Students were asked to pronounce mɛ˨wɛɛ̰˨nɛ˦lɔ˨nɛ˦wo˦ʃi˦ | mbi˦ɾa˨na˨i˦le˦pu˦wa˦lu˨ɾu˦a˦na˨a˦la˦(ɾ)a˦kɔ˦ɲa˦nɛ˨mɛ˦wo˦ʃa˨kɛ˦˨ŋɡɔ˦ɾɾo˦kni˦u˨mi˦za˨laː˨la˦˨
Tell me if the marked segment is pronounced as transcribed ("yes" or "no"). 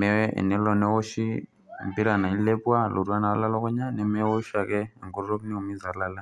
no